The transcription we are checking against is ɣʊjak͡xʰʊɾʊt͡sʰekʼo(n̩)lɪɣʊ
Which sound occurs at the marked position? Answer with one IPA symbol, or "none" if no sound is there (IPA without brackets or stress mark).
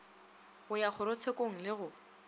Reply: ŋ̩